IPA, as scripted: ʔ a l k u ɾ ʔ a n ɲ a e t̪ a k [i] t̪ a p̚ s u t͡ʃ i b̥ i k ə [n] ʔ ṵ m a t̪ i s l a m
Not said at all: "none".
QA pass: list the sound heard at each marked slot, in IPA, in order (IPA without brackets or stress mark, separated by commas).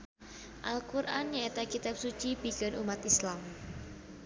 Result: i, n